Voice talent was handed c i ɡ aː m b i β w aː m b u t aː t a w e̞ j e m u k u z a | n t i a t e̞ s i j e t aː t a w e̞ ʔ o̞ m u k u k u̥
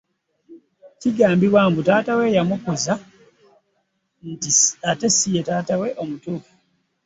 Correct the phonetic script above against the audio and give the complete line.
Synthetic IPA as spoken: c i ɡ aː m b i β w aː m b u t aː t a w e̞ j a m u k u z a | n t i a t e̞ s i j e t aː t a w e̞ ʔ o̞ m u t u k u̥

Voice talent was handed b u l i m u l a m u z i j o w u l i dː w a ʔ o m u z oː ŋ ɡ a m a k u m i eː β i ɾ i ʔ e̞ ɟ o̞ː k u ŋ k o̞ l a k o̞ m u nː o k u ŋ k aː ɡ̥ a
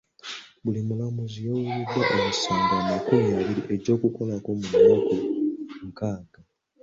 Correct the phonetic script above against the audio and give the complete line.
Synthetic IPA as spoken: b u l i m u l a m u z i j o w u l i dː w a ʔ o m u s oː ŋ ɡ a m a k u m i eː β i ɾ i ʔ e̞ ɟ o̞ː k u k o̞ l a k o̞ m u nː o k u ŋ k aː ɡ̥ a

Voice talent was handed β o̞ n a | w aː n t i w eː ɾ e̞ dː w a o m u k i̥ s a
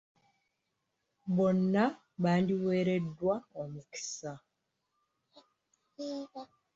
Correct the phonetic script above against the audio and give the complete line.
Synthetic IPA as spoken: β o̞ nː a | β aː n d i w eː ɾ e̞ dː w a o m u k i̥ s a

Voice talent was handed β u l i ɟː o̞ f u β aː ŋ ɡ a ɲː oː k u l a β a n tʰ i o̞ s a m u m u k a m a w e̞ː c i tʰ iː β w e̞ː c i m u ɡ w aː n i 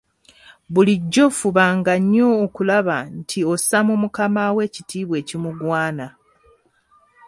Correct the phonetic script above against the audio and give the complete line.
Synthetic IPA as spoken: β u l i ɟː o̞ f u β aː ŋ ɡ a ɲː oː k u l a β a n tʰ i o̞ s a m u m u k a m a w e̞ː c i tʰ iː β w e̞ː c i m u ɡ w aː n a

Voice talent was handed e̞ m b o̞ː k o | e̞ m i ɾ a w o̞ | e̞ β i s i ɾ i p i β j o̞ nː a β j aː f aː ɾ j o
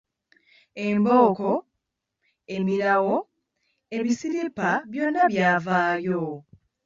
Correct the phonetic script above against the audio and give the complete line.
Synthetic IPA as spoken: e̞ m b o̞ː k o | e̞ m i ɾ a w o̞ | e̞ β i s i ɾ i p a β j o̞ nː a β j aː v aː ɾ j o

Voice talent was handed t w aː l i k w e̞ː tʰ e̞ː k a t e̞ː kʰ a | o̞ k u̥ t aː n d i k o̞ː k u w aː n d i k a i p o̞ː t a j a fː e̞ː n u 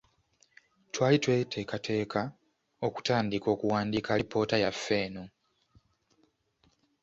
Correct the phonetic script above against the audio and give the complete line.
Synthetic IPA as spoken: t w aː l i t w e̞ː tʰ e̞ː k a t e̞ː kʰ a | o̞ k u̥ t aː n d i k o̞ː k u w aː n d i k a i p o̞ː t a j a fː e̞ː n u

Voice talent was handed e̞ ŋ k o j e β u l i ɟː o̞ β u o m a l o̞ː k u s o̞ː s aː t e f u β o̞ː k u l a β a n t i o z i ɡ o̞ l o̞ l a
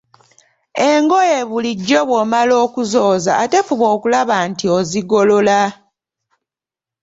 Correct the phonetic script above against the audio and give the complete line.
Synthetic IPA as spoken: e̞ ŋ ɡ o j e β u l i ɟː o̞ β w o m a l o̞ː k u z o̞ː z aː t e f u β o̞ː k u l a β a n t i o z i ɡ o̞ l o̞ l a

